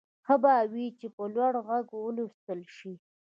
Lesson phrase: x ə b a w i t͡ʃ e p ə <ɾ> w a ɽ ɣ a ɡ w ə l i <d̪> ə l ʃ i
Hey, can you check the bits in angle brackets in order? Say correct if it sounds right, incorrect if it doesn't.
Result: incorrect: l, incorrect: t̪

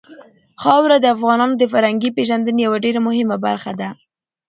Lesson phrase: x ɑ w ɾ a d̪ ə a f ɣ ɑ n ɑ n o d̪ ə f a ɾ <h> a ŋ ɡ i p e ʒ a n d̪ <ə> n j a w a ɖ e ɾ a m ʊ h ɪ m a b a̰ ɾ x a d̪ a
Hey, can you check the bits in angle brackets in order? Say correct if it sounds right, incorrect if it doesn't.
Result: correct, correct

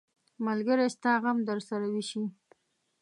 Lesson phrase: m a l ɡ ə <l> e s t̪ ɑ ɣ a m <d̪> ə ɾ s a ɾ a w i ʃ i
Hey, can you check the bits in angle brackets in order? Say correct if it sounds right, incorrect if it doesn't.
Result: incorrect: ɾ, correct

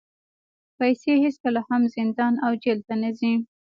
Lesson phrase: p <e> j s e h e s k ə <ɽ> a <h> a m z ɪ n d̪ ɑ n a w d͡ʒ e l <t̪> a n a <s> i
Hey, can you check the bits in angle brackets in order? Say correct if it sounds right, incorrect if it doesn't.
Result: incorrect: a, incorrect: l, correct, correct, incorrect: z

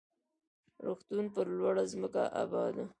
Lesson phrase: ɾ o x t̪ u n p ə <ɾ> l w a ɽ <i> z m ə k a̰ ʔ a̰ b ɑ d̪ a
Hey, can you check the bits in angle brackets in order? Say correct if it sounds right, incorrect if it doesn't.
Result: correct, incorrect: a

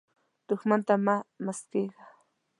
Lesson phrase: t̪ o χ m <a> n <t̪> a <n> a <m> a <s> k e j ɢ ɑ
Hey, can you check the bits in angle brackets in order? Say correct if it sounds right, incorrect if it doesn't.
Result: correct, correct, incorrect: m, correct, correct

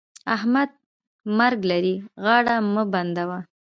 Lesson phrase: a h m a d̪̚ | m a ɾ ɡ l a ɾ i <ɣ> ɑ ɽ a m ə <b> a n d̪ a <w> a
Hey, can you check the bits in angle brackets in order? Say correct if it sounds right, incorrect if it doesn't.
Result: correct, correct, correct

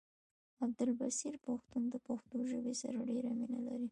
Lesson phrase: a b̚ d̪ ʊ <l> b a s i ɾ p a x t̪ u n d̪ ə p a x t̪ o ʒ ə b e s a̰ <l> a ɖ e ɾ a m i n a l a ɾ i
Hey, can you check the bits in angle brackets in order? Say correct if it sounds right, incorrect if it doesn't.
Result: correct, incorrect: ɾ

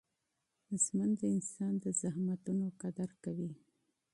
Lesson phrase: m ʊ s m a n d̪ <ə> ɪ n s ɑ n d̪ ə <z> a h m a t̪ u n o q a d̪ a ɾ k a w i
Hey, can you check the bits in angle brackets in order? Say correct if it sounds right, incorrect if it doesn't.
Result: correct, correct

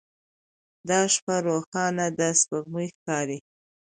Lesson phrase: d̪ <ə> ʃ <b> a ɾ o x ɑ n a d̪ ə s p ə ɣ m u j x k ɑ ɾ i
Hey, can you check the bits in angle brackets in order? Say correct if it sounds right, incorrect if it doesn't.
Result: incorrect: ɑ, incorrect: p

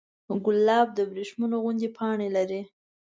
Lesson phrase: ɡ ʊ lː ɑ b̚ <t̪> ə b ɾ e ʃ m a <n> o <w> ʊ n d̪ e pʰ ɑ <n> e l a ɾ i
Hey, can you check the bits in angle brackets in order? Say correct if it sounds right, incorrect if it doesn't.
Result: incorrect: d̪, correct, incorrect: ɣ, incorrect: ɳ

